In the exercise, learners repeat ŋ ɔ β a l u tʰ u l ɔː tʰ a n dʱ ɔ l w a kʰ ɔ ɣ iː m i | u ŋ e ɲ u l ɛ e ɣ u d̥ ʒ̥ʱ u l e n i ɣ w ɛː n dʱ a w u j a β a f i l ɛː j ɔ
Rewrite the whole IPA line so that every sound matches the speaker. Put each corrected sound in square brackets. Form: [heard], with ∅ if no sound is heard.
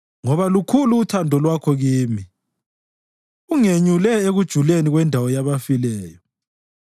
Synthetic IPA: ŋ ɔ β a l u [kʰ] u l [uː] tʰ a n dʱ ɔ l w a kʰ ɔ ɣ iː m i | u ŋ e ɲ u l ɛ e ɣ u d̥ ʒ̥ʱ u l e n i ɣ w [ɛ] n dʱ a w [ɔ] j a β a f i l ɛː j ɔ